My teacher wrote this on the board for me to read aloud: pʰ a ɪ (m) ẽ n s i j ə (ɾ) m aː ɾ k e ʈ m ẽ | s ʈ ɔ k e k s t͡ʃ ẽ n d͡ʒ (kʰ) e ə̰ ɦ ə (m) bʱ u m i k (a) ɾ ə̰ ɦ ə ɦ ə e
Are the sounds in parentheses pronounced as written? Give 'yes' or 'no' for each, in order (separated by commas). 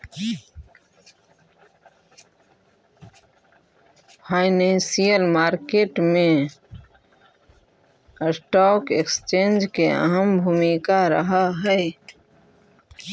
no, no, no, yes, yes